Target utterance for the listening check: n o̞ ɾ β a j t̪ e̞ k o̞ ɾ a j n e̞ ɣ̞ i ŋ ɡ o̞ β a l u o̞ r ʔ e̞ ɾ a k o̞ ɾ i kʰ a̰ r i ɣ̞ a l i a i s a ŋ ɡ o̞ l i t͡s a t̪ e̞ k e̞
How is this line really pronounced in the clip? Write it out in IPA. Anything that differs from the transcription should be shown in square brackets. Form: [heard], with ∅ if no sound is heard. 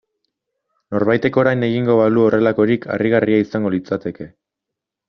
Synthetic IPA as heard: n o̞ ɾ β a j t̪ e̞ k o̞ ɾ a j n e̞ ɣ̞ i ŋ ɡ o̞ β a l u o̞ r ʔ e̞ [l] a k o̞ ɾ i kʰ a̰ r i ɣ̞ a [r] i a i s a ŋ ɡ o̞ l i t͡s a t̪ e̞ k e̞